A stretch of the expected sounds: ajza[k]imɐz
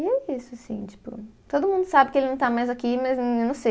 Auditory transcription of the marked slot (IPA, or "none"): k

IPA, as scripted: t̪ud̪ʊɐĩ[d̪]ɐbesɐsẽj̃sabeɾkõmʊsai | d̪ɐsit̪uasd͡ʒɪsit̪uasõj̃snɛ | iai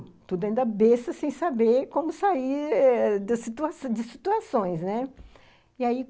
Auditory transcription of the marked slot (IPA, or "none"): d̪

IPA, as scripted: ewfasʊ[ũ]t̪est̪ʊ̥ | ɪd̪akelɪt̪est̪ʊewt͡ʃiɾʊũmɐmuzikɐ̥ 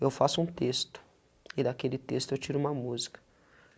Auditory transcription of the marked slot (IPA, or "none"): ũ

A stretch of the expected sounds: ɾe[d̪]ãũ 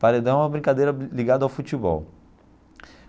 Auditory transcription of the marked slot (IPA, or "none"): d̪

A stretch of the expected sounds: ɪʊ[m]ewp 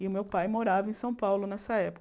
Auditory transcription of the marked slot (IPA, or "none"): m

